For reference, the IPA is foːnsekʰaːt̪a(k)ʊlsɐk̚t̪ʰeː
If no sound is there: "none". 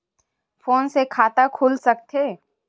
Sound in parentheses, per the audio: kʰ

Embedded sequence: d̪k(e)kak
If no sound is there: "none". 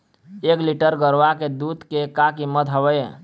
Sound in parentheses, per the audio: e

